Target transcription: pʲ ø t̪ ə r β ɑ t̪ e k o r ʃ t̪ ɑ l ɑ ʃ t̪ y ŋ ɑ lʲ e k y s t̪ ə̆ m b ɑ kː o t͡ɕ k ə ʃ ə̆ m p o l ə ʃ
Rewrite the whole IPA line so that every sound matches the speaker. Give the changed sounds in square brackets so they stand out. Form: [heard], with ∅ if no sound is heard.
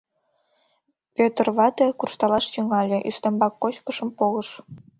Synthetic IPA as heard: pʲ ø t̪ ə r β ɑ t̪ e k [u] r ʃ t̪ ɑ l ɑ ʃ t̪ y ŋ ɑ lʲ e [ʔ] y s t̪ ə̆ m b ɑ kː o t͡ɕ k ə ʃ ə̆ m p o l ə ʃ